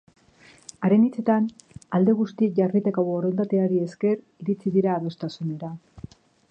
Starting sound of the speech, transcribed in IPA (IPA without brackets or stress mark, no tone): a